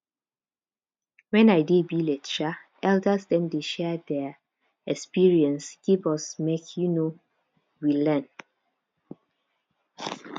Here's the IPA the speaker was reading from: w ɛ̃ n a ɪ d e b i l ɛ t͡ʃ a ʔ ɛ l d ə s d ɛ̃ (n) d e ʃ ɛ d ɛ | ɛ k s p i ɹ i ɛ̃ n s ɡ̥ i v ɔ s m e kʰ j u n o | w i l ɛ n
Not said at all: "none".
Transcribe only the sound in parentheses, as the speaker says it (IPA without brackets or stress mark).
m